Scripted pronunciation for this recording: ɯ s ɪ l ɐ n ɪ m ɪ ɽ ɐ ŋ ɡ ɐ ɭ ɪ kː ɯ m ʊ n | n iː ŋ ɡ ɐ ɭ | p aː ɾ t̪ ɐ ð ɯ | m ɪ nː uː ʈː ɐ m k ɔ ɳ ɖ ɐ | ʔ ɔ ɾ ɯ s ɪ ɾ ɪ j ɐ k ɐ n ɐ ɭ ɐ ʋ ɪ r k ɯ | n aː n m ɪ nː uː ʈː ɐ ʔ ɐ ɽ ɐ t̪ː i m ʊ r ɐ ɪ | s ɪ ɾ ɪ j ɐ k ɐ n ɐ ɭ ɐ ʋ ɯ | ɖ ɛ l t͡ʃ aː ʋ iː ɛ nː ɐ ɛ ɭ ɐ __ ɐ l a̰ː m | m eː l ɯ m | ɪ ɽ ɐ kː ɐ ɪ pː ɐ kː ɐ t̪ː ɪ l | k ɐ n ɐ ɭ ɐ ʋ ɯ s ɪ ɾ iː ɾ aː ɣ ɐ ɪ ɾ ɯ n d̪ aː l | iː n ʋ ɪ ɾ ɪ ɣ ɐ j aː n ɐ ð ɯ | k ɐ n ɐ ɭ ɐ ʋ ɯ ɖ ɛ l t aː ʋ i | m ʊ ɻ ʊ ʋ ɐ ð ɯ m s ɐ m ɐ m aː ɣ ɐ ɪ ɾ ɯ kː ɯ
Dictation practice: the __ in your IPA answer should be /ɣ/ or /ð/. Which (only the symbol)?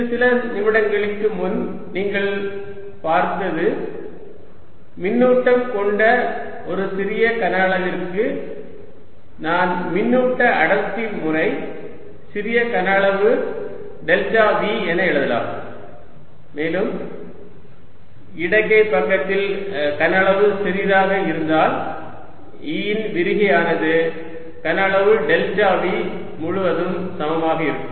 ð